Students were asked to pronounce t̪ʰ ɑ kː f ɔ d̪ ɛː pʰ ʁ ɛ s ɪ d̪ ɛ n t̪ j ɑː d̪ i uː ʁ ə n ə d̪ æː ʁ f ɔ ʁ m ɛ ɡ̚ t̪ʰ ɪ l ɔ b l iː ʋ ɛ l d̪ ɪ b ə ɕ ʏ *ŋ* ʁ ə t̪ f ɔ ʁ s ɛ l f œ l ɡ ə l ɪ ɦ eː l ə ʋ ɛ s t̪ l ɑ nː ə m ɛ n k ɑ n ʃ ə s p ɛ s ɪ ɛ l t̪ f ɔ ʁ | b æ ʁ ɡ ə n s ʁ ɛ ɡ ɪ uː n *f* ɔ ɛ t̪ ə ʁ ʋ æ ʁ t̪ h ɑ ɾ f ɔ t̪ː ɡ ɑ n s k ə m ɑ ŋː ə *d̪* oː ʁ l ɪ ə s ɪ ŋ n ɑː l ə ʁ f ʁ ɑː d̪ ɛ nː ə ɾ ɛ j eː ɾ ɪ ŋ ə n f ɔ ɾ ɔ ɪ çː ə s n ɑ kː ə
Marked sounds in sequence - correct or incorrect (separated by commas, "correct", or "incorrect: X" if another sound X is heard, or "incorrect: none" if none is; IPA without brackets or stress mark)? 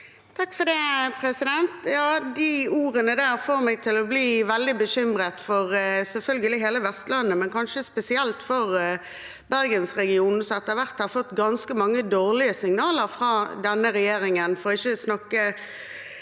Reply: incorrect: m, incorrect: s, correct